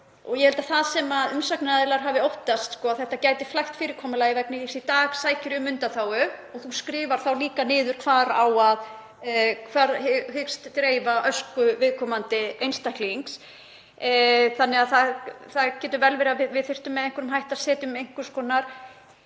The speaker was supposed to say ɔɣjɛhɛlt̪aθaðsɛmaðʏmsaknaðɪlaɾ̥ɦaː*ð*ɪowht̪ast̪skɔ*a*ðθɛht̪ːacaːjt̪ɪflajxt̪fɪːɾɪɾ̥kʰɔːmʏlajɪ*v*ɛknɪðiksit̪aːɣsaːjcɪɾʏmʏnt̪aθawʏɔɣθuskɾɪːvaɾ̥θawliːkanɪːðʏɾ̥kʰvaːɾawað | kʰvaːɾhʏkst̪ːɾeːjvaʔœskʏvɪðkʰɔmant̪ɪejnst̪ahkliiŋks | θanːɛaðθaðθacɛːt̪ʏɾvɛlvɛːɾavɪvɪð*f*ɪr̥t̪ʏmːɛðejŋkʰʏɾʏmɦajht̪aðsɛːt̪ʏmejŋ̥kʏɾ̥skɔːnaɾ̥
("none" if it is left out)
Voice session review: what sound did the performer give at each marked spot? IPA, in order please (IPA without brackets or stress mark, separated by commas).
v, a, v, θ